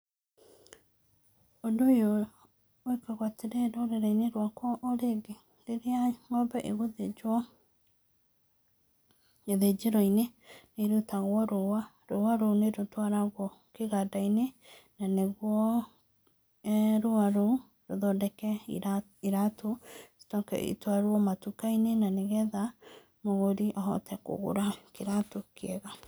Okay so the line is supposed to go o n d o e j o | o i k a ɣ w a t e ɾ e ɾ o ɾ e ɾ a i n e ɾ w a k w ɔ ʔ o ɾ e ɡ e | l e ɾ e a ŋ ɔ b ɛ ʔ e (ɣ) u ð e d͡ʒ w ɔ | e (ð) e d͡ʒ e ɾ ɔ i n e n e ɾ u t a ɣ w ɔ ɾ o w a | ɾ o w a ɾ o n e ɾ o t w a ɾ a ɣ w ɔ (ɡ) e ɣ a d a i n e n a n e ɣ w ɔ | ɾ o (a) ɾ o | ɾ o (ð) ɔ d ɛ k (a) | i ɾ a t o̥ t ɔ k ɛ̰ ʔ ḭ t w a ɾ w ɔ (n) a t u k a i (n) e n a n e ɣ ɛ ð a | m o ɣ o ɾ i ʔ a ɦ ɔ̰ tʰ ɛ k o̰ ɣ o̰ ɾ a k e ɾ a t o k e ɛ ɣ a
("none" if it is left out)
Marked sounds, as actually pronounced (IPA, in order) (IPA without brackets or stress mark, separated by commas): ɣ, ð, k, a, ð, ɛ, m, n